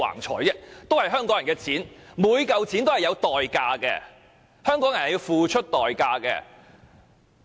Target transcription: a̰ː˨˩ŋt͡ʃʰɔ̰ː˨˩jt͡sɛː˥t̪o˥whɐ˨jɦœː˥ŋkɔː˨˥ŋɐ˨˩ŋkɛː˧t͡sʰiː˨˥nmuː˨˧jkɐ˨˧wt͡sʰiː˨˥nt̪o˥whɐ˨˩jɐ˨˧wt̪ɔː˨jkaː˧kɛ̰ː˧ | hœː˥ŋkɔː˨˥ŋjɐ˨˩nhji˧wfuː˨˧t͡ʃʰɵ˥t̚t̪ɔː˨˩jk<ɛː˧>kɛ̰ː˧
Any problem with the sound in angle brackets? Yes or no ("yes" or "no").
yes